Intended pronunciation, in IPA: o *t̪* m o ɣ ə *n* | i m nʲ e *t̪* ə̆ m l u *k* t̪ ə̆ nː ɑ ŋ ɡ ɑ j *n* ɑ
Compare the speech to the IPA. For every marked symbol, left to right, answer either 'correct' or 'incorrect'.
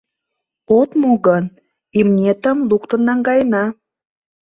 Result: correct, correct, correct, correct, correct

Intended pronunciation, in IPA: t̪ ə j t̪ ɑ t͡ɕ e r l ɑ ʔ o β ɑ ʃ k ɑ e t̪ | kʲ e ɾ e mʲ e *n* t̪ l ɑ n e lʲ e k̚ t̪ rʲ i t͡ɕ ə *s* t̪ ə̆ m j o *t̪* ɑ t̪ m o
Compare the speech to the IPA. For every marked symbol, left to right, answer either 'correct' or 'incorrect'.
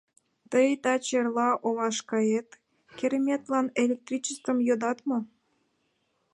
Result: incorrect, correct, incorrect

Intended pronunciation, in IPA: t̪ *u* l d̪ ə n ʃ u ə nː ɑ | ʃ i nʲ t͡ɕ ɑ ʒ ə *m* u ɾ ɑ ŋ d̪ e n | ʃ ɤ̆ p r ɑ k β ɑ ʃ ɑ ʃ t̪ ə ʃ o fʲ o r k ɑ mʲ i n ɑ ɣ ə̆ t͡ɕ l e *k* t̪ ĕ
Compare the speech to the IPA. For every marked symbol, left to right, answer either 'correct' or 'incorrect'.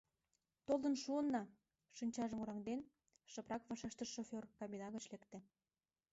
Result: incorrect, correct, correct

